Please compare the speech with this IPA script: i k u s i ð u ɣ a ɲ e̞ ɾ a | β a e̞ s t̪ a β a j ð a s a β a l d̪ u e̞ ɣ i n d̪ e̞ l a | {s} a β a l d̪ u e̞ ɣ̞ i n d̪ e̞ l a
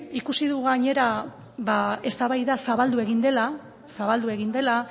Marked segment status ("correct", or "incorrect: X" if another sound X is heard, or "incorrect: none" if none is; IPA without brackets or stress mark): correct